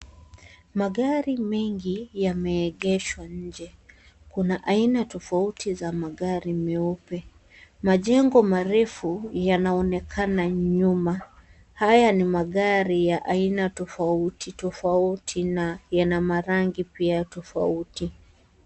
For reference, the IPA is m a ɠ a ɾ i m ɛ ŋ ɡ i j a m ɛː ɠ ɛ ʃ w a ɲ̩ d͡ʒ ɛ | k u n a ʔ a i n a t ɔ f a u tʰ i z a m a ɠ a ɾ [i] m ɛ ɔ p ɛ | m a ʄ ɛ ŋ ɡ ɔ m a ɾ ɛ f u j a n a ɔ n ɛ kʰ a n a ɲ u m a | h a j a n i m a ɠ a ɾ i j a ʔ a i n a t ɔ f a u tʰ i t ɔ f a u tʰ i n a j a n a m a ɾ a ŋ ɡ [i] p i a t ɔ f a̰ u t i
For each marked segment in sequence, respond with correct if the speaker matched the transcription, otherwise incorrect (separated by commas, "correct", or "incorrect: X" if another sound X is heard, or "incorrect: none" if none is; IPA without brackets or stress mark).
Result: correct, correct